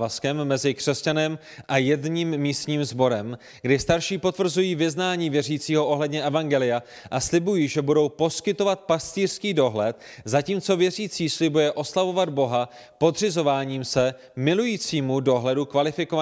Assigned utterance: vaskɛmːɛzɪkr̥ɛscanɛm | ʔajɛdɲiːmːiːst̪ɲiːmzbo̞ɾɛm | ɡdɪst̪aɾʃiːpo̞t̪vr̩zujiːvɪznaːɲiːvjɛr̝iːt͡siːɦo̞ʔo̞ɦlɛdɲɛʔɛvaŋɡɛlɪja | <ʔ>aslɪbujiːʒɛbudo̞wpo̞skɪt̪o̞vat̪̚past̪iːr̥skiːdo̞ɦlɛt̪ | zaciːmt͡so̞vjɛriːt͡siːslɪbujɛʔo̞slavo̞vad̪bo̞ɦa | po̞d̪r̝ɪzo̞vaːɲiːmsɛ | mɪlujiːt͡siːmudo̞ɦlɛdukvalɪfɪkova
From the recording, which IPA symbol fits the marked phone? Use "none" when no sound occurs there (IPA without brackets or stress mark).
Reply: ʔ